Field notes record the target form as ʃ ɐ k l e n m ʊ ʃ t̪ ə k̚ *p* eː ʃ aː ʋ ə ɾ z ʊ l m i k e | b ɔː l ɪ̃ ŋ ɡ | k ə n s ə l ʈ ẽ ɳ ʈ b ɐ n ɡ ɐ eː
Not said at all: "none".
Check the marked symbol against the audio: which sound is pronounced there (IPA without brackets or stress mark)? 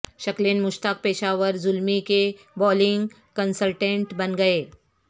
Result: p